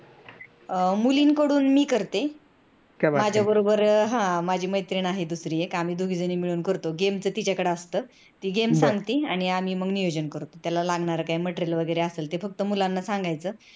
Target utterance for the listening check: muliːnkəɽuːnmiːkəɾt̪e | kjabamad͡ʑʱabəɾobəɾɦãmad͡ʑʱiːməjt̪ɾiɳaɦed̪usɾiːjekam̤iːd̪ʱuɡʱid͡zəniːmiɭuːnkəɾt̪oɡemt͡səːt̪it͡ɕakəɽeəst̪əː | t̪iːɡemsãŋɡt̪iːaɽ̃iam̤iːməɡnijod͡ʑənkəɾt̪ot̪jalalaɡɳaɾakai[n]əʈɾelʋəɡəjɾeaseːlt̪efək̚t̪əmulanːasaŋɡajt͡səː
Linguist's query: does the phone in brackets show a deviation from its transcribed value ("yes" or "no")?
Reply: yes